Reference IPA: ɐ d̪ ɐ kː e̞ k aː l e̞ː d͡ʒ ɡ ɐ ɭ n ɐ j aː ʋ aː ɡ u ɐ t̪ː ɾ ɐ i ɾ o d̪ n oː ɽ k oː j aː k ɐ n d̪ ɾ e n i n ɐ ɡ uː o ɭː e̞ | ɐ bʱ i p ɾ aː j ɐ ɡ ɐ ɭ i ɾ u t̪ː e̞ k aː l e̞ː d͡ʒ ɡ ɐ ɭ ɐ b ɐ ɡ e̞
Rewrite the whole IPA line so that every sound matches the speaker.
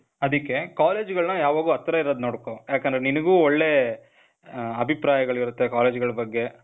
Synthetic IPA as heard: ɐ d̪ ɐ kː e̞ k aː l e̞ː d͡ʒ ɡ ɐ ɭ n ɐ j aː ʋ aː ɡ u ɐ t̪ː ɾ ɐ i ɾ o d̪ n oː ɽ k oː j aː k ɐ n d̪ ɾ e n i n ɐ ɡ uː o ɭː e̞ | ɐ bʱ i p ɾ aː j ɐ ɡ ɐ ɭ i ɾ u t̪ː e̞ k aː l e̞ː d͡ʒ ɡ ɐ ɭ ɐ b ɐ ɡː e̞